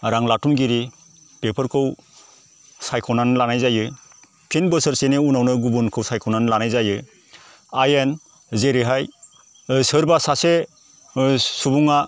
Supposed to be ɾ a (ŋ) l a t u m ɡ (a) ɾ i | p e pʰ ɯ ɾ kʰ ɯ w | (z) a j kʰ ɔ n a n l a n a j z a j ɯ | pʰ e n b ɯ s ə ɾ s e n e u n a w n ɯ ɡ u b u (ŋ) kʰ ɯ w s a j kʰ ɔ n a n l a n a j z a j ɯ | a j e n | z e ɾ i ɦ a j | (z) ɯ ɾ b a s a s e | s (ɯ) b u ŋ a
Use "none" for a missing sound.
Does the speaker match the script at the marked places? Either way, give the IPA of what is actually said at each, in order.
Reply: ŋ, i, s, n, s, u

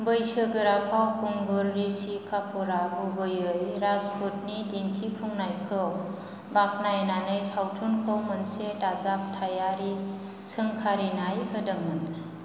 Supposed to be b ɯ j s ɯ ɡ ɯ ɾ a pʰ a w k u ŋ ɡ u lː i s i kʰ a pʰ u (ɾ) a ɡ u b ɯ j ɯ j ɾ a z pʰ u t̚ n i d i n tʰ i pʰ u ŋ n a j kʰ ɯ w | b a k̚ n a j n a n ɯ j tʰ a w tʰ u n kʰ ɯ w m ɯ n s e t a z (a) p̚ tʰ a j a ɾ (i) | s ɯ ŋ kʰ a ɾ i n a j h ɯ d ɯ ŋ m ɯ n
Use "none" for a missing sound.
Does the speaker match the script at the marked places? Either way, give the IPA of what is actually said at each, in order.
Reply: ɾ, a, i

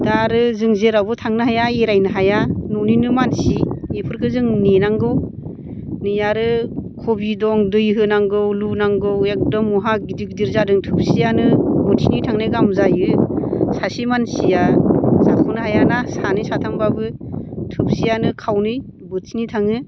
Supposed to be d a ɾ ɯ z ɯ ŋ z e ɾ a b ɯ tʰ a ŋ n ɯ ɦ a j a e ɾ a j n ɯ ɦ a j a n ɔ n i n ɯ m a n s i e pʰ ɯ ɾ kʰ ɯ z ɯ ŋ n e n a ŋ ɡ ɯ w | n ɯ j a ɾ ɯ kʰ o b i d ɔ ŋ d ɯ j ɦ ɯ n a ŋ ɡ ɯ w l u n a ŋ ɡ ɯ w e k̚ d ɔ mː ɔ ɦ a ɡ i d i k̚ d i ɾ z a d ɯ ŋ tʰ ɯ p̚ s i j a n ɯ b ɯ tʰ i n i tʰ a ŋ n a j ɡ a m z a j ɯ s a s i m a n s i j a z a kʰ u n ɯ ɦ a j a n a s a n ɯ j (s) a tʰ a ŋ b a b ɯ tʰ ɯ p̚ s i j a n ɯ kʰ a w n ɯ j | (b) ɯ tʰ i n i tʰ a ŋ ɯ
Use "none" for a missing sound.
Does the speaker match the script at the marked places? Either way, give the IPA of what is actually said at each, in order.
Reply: s, b

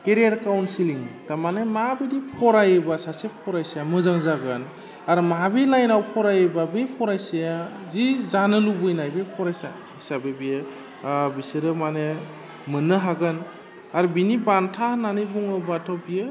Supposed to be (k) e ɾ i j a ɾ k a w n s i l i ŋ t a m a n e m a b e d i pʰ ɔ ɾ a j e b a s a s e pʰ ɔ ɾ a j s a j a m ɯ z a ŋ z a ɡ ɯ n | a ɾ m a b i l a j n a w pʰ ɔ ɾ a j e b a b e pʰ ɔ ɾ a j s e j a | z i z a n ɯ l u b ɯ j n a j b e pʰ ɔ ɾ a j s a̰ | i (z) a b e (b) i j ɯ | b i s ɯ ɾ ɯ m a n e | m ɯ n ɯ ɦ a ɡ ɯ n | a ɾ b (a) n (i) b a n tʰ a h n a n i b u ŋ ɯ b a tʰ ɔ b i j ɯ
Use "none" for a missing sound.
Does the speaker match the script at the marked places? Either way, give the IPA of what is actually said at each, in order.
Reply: k, s, b, i, i

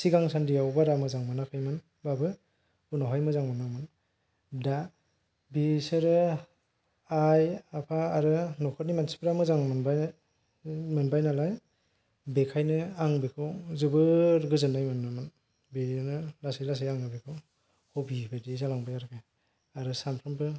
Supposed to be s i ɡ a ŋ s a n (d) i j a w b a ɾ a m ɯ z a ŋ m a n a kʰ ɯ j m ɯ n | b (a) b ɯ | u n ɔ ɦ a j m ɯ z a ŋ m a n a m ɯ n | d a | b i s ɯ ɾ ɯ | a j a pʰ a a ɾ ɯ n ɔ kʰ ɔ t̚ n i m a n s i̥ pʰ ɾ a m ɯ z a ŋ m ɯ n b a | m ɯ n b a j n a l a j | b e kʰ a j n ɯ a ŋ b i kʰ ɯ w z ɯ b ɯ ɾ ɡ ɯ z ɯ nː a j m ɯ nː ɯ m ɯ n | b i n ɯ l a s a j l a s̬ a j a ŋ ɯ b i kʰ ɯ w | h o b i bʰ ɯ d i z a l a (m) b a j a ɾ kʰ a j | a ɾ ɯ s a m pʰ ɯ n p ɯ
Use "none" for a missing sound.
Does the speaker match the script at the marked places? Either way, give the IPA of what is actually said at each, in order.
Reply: d, a, ŋ

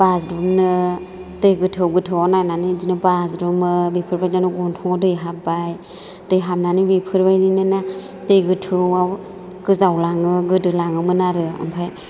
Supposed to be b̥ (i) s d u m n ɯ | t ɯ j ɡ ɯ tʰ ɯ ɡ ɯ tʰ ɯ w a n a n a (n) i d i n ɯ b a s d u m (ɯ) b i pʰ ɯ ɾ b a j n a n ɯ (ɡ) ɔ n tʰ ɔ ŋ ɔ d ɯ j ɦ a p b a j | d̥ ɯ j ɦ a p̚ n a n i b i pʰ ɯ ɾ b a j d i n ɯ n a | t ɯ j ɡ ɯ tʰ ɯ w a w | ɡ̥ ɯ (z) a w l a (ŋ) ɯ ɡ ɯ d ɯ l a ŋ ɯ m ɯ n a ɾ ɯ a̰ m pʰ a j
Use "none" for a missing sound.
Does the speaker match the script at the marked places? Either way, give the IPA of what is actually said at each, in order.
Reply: a, n, ɯ, ɡ, z, ŋ

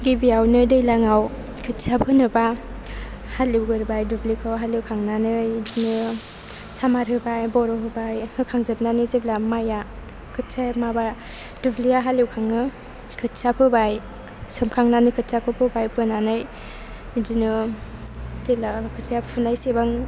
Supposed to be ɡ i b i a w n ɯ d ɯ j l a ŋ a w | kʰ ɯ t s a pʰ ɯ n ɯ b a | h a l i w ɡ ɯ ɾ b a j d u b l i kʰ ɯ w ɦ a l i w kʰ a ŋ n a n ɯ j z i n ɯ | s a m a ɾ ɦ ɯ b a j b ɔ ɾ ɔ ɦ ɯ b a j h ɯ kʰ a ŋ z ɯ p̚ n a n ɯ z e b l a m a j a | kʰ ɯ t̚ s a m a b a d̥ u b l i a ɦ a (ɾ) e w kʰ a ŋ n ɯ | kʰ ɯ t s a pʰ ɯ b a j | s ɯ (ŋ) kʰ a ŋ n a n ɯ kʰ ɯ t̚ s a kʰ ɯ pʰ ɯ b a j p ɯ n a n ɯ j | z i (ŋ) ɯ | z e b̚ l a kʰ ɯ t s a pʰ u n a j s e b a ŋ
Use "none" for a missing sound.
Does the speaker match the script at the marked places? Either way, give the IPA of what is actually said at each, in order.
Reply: l, m, n

